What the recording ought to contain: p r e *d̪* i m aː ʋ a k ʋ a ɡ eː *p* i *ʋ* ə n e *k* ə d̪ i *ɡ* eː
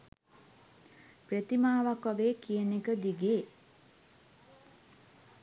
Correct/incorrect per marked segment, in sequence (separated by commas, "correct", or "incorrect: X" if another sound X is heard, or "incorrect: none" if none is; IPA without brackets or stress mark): incorrect: t̪, incorrect: k, incorrect: none, correct, correct